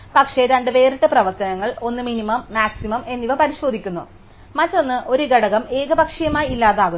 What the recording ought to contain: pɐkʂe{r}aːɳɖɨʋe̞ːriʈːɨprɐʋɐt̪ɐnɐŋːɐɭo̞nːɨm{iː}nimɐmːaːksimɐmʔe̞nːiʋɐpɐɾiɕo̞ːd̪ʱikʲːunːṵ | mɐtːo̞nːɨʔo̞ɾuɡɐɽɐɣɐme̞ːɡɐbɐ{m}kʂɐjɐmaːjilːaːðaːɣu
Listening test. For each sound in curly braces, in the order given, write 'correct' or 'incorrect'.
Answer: incorrect: ɾ, incorrect: i, incorrect: none

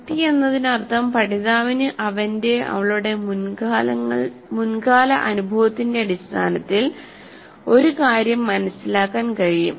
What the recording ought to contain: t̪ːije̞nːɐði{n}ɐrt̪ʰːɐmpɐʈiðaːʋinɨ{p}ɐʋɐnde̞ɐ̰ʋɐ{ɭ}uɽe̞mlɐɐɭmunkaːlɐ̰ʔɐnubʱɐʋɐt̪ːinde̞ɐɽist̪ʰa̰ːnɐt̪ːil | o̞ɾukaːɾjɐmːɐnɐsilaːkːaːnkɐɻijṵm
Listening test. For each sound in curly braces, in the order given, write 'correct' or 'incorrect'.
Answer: correct, incorrect: ʔ, correct

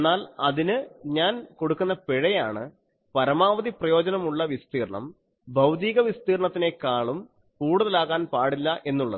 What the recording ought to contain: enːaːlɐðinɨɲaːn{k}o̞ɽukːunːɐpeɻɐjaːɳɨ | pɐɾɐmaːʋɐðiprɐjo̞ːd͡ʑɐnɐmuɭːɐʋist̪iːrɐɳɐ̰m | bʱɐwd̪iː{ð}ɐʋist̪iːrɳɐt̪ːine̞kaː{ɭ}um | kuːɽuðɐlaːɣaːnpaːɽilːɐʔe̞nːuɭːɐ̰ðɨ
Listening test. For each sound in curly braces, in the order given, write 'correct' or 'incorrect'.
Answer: correct, incorrect: ɣ, correct

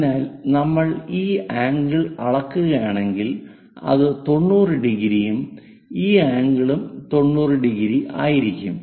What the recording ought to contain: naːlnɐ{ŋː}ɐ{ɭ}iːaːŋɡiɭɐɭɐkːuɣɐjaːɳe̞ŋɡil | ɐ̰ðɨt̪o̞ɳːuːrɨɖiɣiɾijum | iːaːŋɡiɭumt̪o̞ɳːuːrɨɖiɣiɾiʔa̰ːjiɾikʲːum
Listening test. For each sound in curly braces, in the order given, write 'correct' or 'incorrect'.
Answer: incorrect: mː, correct

